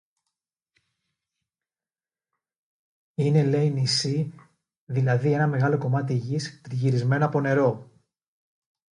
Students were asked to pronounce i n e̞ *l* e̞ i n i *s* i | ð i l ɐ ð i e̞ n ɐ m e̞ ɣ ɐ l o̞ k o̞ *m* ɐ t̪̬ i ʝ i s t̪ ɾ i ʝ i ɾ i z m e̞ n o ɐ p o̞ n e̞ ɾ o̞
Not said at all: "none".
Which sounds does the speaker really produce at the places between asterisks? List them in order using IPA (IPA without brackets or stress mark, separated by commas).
l, s, m